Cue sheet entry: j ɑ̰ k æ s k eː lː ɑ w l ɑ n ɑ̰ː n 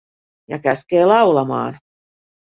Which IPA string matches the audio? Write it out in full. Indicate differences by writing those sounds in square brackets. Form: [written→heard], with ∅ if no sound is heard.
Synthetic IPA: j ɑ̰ k æ s k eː [lː→l] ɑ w l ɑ [n→m] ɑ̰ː n